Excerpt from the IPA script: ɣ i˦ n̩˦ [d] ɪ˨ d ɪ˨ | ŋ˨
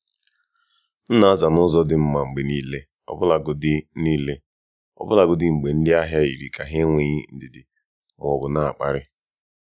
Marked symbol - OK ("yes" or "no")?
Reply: yes